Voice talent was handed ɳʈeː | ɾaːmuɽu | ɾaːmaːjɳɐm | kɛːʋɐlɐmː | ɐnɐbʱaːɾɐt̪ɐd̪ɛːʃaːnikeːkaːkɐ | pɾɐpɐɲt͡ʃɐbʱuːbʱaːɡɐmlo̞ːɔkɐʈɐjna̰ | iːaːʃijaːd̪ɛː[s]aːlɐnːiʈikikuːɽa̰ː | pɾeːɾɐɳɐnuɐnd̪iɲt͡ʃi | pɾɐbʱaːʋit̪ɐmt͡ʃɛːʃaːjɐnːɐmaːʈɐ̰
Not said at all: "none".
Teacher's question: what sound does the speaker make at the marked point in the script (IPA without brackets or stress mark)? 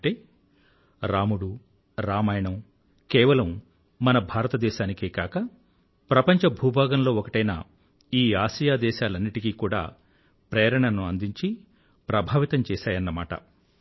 ʃ